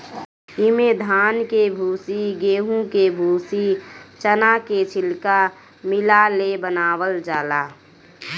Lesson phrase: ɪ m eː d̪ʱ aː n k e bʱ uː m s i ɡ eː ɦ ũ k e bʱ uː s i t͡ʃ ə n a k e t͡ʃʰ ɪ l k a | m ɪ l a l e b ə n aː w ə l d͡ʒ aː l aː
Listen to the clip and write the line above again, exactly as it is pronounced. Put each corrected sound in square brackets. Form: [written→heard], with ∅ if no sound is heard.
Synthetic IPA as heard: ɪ m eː d̪ʱ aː n k e bʱ uː [m→∅] s i ɡ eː ɦ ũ k e bʱ uː s i t͡ʃ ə n a k e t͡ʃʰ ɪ l k a | m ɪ l a l e b ə n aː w ə l d͡ʒ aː l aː